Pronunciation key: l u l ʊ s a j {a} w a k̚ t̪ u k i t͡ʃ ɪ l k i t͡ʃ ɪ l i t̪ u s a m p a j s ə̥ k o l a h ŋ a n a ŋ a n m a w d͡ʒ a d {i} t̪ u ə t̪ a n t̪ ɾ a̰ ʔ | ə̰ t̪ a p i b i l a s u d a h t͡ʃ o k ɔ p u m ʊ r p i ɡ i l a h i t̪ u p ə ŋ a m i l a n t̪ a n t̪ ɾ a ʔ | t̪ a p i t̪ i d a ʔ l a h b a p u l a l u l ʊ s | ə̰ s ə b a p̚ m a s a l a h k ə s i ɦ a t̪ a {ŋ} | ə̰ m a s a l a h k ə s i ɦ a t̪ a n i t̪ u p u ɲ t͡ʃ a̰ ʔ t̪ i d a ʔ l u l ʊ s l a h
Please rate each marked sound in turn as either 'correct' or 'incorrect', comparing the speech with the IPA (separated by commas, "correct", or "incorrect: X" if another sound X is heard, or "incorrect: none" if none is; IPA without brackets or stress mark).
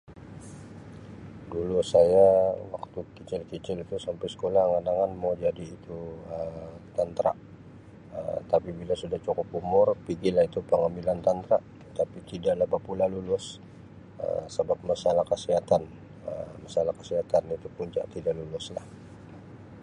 correct, incorrect: iː, incorrect: n